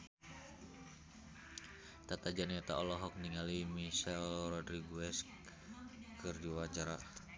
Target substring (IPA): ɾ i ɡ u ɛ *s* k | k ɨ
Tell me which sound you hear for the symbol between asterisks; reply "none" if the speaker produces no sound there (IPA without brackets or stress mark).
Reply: s